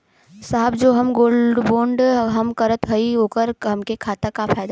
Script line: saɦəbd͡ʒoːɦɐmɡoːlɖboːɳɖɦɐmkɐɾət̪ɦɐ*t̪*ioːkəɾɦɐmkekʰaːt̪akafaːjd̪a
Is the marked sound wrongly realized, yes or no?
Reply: yes